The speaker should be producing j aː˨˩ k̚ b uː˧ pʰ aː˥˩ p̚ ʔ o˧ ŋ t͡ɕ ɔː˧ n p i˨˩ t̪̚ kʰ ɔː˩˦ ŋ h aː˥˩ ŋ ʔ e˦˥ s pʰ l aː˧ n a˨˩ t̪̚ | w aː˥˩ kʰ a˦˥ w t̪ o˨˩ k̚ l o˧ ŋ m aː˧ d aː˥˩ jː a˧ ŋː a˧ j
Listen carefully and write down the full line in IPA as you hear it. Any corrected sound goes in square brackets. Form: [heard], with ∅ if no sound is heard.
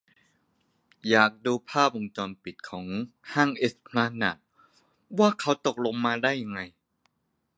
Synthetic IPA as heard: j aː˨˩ k̚ [d] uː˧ pʰ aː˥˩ p̚ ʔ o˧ ŋ t͡ɕ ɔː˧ n p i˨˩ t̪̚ kʰ ɔː˩˦ ŋ h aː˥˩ ŋ ʔ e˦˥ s pʰ l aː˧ n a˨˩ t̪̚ | w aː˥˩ kʰ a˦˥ w t̪ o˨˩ k̚ l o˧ ŋ m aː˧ d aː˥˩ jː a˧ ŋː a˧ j